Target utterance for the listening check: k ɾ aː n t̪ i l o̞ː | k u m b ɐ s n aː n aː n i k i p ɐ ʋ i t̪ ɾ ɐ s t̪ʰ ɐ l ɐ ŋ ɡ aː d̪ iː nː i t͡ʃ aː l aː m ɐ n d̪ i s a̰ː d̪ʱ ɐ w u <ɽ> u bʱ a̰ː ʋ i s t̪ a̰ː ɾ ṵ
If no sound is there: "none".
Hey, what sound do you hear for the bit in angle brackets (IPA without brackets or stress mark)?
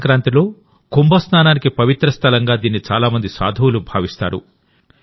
l